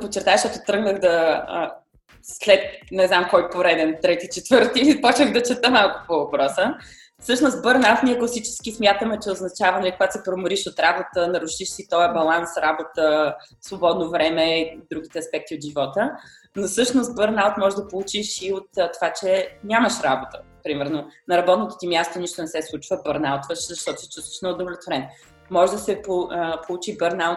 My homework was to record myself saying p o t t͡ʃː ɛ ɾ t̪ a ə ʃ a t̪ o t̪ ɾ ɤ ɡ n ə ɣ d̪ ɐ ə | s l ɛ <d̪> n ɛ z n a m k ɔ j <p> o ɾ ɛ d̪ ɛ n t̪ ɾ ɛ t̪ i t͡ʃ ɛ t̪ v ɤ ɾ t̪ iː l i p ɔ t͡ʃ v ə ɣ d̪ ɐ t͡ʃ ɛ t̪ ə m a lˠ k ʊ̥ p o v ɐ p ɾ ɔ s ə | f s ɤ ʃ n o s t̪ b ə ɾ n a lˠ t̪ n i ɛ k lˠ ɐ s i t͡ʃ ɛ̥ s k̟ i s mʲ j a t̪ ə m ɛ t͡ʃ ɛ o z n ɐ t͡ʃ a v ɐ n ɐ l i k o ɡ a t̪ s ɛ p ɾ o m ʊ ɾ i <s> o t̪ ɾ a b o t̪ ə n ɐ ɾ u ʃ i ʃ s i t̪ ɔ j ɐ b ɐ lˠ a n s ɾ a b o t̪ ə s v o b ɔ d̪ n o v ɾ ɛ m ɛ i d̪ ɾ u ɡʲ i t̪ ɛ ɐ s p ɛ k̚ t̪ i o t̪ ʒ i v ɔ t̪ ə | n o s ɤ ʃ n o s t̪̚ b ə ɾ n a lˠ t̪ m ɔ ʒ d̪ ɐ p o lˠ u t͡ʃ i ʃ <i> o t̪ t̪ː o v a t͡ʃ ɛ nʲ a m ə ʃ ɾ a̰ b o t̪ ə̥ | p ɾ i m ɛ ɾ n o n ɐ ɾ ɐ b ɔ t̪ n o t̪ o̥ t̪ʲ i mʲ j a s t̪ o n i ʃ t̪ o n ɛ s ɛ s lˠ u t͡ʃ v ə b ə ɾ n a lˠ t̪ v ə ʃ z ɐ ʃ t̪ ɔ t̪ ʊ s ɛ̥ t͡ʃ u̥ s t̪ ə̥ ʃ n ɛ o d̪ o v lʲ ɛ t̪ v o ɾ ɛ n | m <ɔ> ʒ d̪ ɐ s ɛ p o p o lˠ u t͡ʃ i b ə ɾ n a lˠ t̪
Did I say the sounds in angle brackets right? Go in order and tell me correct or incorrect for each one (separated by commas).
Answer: incorrect, correct, incorrect, correct, correct